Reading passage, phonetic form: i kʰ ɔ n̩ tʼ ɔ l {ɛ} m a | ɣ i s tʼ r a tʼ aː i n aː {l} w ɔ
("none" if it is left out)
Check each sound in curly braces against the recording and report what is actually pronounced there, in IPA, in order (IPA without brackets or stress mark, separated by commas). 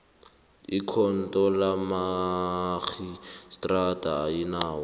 a, none